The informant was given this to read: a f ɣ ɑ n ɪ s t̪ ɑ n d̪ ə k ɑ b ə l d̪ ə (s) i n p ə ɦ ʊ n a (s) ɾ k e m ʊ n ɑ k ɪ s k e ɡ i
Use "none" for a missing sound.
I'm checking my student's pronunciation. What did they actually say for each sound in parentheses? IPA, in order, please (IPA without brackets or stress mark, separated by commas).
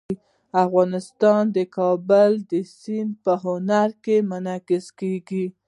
s, none